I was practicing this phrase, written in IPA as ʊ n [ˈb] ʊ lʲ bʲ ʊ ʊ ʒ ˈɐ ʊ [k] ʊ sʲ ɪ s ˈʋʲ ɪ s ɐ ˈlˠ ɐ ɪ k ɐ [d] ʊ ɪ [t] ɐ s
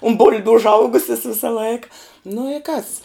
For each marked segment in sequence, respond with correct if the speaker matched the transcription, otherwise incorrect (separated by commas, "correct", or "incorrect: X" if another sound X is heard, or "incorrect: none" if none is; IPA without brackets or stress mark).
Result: correct, incorrect: ɡ, incorrect: n, incorrect: k